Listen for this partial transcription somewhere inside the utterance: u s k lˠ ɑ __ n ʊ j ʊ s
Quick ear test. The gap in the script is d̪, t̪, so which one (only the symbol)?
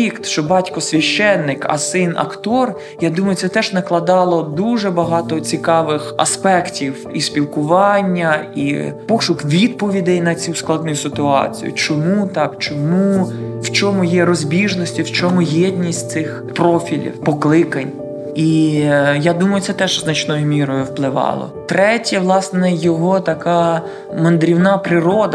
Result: d̪